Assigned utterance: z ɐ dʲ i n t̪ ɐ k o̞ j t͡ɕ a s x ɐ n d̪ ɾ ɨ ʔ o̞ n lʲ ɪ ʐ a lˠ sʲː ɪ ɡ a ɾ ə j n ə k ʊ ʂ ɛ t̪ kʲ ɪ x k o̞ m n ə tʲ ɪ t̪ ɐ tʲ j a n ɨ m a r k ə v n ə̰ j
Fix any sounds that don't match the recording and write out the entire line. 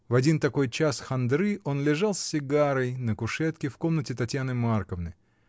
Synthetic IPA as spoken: v ɐ dʲ i n t̪ ɐ k o̞ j t͡ɕ a s x ɐ n d̪ ɾ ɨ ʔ o̞ n lʲ ɪ ʐ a lˠ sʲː ɪ ɡ a ɾ ə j n ə k ʊ ʂ ɛ t̪ kʲ ɪ f k o̞ m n ə tʲ ɪ t̪ ɐ tʲ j a n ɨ m a r k ə v n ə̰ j